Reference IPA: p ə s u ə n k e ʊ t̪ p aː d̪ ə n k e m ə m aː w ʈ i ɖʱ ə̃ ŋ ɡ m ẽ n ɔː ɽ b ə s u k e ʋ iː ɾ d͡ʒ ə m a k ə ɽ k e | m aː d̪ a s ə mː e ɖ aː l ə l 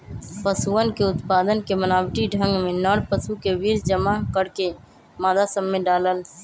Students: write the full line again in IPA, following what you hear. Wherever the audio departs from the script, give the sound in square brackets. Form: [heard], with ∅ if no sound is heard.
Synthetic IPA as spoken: p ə s u ə n k e ʊ t̪ p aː d̪ ə n k e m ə [n] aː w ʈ i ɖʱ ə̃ ŋ ɡ m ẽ n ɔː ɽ [p] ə s u k e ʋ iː ɾ d͡ʒ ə m a k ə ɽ k e | m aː d̪ a s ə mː e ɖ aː l ə l